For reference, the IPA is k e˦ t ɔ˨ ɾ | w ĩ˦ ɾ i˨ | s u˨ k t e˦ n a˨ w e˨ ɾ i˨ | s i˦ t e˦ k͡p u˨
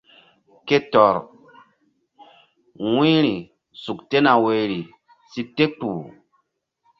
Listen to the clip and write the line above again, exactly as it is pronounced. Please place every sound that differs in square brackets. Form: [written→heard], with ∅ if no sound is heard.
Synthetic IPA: k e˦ t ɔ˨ ɾ | w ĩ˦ ɾ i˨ | s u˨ k t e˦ n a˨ w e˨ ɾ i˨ | s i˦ t e˦ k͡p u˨